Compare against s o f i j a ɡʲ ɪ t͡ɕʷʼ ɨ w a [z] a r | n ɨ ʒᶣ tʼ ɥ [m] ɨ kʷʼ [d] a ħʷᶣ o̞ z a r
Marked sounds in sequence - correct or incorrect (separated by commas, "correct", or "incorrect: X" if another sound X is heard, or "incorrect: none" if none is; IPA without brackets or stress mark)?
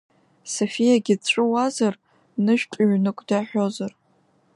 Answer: correct, incorrect: n, correct